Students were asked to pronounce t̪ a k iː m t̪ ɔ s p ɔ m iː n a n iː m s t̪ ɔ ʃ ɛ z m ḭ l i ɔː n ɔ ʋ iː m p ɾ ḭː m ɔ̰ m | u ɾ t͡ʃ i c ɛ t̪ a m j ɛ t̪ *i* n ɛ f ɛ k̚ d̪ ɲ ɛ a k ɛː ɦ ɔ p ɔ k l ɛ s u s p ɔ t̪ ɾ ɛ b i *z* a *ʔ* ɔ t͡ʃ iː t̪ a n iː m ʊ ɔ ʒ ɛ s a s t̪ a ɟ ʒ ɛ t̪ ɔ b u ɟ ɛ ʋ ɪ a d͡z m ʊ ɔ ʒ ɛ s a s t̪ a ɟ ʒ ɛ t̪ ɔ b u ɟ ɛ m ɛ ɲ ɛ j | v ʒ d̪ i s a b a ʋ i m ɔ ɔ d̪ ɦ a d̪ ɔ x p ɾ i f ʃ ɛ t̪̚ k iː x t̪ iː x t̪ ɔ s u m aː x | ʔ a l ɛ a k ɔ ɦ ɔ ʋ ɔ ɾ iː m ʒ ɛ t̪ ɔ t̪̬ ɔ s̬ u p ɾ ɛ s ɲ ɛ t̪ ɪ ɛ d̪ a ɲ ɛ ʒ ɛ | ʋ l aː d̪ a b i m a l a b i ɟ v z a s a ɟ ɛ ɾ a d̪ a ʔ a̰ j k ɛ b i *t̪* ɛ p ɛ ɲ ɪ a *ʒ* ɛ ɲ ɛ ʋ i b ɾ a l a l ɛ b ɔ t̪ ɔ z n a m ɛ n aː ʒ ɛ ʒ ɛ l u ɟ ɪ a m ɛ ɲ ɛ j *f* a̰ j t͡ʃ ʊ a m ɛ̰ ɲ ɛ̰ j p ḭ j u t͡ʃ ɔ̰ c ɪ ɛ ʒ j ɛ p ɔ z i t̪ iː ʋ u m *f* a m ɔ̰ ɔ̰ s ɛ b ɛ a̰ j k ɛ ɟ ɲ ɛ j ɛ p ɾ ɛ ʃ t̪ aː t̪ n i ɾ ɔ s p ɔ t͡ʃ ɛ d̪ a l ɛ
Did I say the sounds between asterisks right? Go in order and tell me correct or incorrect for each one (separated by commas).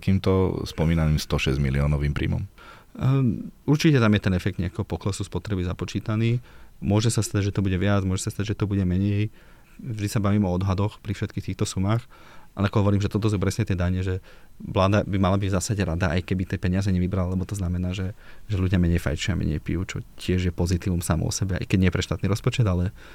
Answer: incorrect, correct, incorrect, correct, incorrect, correct, incorrect